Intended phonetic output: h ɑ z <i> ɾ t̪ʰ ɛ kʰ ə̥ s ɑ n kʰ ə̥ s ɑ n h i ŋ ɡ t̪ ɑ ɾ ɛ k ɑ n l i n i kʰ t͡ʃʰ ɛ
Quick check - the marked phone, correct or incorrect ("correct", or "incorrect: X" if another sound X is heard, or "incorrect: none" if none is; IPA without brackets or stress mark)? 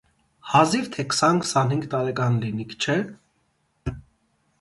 correct